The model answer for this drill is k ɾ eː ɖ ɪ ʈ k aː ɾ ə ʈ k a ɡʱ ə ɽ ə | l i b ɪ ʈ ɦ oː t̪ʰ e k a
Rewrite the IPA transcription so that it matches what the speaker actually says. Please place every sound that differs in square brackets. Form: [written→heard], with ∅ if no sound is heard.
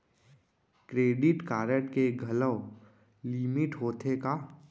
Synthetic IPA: k ɾ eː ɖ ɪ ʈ k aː ɾ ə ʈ k [a→e] ɡʱ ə [ɽ→l] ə | l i [b→m] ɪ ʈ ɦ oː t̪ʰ e k a